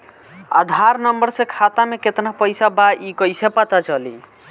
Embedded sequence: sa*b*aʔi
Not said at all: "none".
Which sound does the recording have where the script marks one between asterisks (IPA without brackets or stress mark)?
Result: b